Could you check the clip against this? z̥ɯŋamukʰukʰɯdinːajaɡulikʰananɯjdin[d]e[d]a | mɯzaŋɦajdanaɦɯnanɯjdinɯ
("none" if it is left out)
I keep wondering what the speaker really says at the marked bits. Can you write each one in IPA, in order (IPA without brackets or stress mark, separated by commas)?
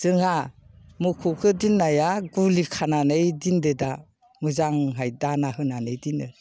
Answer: d, d